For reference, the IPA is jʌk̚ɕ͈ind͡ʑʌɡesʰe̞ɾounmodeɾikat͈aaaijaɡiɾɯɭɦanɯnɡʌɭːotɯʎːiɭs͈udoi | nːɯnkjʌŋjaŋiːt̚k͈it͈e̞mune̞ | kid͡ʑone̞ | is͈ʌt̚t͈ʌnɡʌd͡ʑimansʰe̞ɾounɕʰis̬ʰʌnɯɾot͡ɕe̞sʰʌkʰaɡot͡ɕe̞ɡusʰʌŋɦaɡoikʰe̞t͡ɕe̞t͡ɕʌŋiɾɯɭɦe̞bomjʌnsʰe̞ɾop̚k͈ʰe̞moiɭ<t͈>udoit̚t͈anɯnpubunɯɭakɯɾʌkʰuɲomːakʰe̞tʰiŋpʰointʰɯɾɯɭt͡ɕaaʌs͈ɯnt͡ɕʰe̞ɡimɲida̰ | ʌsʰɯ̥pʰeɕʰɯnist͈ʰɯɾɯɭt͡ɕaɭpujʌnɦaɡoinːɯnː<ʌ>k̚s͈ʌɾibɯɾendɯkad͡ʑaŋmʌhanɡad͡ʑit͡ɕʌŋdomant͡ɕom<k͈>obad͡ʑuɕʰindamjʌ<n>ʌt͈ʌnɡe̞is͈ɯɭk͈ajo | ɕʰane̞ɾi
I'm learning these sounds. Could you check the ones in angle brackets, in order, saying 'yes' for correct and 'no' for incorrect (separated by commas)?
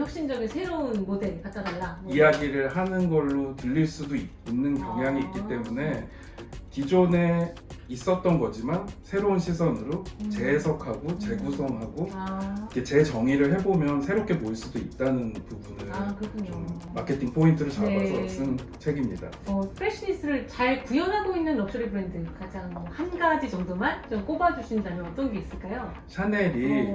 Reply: no, yes, yes, yes